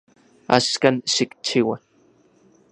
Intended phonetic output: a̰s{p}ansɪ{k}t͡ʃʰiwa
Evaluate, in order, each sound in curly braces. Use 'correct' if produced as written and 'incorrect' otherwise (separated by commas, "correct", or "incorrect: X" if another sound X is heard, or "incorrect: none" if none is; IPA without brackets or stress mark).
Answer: incorrect: k, correct